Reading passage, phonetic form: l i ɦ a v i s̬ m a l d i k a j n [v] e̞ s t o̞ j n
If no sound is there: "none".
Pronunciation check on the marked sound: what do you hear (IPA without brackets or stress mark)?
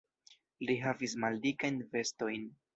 v